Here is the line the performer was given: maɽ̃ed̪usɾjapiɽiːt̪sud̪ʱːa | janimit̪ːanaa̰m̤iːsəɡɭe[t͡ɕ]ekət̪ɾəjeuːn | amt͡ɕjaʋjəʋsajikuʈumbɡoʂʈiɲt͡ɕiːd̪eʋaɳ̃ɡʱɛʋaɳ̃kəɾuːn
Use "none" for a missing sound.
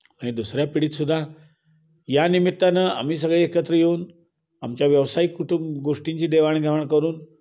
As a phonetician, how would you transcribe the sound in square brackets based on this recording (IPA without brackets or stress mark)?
none